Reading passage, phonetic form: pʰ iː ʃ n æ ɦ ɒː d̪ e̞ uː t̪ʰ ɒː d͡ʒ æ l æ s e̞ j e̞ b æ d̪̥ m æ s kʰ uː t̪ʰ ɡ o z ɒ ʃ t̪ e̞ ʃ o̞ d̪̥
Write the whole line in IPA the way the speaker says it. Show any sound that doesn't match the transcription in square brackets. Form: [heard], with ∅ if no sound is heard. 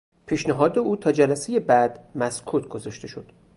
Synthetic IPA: pʰ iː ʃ n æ ɦ ɒː d̪ e̞ uː t̪ʰ ɒː d͡ʒ æ l æ s e̞ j e̞ b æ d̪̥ m æ s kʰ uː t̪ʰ ɡ o z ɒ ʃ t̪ e̞ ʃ o̞ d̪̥